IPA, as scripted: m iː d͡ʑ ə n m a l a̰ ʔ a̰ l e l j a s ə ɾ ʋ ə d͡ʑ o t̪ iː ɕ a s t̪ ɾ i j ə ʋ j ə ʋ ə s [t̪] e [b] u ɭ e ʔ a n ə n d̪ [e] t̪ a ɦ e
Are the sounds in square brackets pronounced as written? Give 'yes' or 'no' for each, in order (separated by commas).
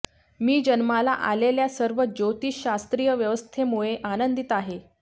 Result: no, no, no